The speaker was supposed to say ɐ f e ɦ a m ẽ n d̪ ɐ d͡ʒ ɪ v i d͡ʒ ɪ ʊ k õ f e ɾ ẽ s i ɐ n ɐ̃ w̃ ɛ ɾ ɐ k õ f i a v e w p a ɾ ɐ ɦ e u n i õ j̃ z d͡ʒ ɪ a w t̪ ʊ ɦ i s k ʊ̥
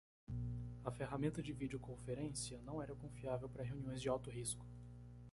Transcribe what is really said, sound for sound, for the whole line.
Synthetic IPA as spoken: ɐ f e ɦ a m ẽ n t̪ ɐ d͡ʒ ɪ v i d͡ʒ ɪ ʊ k õ f e ɾ ẽ s i ɐ n ɐ̃ w̃ ɛ ɾ ɐ k õ f i a v e w p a ɾ ɐ ɦ e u n i õ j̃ z d͡ʒ ɪ a w t̪ ʊ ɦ i s k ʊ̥

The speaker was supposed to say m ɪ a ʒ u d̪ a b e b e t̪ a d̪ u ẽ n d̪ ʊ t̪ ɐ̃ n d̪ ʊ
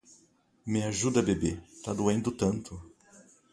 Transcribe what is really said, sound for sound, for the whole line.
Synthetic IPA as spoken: m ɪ a ʒ u d̪ ɐ b e b e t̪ a d̪ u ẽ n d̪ ʊ t̪ ɐ̃ n t̪ ʊ

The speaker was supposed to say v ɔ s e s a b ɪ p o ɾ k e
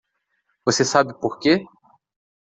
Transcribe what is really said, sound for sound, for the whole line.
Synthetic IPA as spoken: v o s e s a b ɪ p o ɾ k e

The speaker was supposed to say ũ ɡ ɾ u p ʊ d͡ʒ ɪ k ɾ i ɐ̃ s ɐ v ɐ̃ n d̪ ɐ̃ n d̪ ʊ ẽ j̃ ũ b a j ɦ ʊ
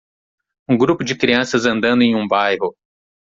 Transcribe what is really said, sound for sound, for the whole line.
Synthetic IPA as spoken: ũ ɡ ɾ u p ʊ d͡ʒ ɪ k ɾ i ɐ̃ s ɐ z ɐ̃ n d̪ ɐ̃ n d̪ ʊ ẽ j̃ ũ b a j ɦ ʊ

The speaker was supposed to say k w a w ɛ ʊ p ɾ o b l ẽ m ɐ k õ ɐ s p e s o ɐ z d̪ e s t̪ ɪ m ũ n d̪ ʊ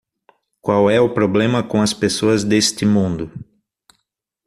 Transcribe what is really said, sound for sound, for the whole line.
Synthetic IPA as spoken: k w a w ɛ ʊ p ɾ o b l ẽ m ɐ k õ ɐ s p e s o ɐ z d̪ e s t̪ ɪ m ũ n d̪ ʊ

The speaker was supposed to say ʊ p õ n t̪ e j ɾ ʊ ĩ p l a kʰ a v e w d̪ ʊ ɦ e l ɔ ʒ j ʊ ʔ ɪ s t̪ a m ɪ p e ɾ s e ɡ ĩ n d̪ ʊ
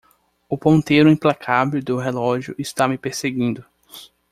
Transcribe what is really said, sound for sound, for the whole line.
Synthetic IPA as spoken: ʊ p õ n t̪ e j ɾ ʊ ĩ p l a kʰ a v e w d̪ ʊ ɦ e l ɔ ʒ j ʊ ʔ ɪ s t̪ a m ɪ p e ɾ s e ɡ ĩ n d̪ ʊ

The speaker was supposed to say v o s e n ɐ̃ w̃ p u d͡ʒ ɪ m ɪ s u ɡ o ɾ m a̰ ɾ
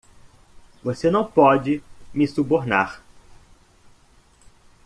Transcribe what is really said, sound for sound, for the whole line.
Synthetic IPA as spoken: v o s e n ɐ̃ w̃ p ɔ d͡ʒ ɪ m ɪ s u b o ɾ n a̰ ɾ

